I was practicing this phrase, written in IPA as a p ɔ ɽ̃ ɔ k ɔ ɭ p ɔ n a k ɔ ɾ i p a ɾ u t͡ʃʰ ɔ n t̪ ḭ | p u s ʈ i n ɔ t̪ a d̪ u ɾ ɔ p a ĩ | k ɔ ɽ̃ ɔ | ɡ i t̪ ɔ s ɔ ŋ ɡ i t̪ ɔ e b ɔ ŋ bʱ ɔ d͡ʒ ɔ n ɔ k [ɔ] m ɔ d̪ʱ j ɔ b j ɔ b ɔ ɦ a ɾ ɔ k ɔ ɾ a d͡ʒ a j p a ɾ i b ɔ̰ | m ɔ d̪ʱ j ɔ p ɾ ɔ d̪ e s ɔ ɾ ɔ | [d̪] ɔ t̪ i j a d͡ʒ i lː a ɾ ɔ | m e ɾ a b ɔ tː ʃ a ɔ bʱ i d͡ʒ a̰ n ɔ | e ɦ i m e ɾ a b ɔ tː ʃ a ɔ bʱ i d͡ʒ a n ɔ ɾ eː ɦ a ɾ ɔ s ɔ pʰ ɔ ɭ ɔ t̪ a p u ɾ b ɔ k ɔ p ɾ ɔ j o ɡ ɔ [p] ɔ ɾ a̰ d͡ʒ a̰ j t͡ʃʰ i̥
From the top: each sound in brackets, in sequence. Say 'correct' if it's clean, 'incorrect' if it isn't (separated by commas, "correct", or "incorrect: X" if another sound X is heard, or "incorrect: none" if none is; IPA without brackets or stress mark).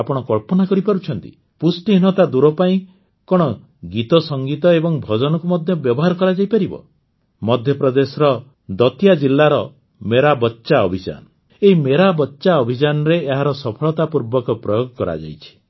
incorrect: u, correct, incorrect: k